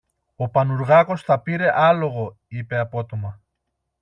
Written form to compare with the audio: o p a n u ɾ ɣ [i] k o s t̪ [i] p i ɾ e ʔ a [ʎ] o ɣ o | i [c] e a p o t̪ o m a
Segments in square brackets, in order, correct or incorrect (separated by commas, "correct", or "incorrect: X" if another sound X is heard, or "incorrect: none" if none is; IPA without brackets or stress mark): incorrect: a, incorrect: a, incorrect: l, incorrect: p